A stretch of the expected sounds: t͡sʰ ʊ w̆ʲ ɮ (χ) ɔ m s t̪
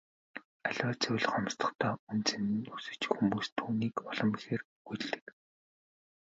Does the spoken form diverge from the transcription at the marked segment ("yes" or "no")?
no